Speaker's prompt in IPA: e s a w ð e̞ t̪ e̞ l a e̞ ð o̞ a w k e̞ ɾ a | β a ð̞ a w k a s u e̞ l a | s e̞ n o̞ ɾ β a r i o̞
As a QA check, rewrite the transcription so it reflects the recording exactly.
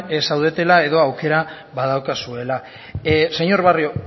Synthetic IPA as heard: e s a w ð e̞ t̪ e̞ l a e̞ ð o̞ a w k e̞ ɾ a | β a ð̞ a w k a s u e̞ l a | s e̞ ɲ o̞ ɾ β a r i o̞